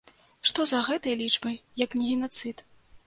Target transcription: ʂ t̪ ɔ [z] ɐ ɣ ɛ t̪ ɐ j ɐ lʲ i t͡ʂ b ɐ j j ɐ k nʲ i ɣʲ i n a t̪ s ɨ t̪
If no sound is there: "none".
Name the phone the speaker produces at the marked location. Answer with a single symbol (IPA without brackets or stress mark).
z